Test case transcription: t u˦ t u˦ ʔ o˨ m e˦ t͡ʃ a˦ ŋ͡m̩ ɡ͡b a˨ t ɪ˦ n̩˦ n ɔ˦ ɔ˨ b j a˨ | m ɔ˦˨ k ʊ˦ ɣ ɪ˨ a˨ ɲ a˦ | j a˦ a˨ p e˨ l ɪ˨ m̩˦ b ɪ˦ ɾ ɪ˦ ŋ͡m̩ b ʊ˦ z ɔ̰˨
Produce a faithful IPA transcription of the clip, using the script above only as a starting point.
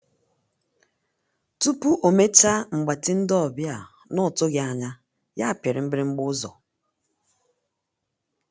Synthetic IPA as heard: t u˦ p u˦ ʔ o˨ m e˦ t͡ʃ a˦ ŋ͡m̩ ɡ͡b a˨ t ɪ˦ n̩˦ d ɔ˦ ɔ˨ b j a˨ | n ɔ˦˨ t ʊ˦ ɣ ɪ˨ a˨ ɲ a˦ | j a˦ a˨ p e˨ ɾ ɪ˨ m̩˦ b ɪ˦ ɾ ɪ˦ ŋ͡m̩ ɡ͡b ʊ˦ z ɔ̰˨